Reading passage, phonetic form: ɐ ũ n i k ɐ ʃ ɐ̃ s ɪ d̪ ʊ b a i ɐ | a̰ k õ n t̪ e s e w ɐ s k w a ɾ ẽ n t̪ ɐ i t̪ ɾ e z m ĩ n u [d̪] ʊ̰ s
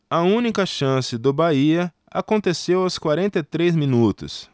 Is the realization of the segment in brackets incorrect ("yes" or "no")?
yes